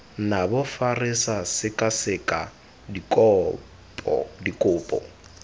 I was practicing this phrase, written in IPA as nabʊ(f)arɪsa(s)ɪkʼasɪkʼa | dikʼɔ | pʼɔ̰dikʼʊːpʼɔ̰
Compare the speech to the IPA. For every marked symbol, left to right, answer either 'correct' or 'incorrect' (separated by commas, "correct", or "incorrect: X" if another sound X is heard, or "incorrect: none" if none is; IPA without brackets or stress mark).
correct, correct